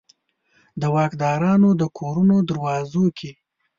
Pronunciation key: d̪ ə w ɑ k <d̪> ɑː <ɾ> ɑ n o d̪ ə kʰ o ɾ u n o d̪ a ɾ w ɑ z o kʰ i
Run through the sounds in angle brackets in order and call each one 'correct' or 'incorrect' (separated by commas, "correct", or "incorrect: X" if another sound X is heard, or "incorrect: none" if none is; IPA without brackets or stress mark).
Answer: correct, correct